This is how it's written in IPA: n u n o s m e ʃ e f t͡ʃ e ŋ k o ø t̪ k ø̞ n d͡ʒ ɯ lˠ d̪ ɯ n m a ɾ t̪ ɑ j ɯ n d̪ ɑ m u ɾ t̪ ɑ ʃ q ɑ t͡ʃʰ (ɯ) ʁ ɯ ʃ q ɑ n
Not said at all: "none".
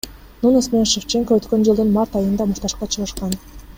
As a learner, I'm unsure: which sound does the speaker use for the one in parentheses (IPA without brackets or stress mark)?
ɯ